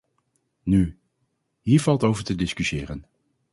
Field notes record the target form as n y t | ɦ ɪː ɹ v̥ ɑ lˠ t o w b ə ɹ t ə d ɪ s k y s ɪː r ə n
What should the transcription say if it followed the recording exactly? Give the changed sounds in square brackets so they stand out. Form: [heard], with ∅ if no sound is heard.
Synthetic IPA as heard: n y [∅] | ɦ [iː] ɹ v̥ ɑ lˠ t o w [v] ə ɹ t ə d ɪ s k y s ɪː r ə n